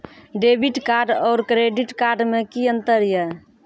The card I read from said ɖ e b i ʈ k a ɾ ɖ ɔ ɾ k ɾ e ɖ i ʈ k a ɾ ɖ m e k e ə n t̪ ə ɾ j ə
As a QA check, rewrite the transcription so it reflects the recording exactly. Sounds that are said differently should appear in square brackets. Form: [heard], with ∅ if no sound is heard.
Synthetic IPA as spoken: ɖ e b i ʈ k a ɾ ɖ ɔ ɾ k ɾ e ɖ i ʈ k a ɾ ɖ m e k [i] ə n t̪ ə ɾ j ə